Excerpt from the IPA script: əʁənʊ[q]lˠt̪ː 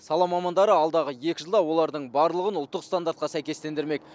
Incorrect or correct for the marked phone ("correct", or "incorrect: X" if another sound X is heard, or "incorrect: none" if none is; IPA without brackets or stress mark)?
incorrect: none